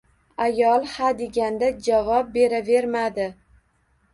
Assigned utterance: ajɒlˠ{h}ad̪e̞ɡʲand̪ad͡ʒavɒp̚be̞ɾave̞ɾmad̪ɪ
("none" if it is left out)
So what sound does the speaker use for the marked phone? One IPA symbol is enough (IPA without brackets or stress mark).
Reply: h